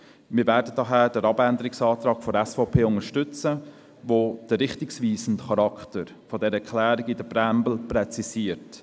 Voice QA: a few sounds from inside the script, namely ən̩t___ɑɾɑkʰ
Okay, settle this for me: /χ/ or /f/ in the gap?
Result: χ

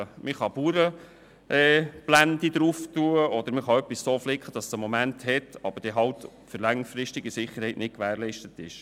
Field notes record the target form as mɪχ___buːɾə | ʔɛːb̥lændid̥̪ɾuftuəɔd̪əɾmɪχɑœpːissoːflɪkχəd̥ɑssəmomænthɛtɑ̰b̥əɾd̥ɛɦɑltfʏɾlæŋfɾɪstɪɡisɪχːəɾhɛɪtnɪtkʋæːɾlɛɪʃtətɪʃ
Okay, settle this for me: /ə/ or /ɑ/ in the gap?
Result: ɑ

